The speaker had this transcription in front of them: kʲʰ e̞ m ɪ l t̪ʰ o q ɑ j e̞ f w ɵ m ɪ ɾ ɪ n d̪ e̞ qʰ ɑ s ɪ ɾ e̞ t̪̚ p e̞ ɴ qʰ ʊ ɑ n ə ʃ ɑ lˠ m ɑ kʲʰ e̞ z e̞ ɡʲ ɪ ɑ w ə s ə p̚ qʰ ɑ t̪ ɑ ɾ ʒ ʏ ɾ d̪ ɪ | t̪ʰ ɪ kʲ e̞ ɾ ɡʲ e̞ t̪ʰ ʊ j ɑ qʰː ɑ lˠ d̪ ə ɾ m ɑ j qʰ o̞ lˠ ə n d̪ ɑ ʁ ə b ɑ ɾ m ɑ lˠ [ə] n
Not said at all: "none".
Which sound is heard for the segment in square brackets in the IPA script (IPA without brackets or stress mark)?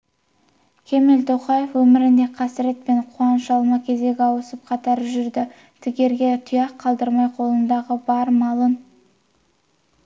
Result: ə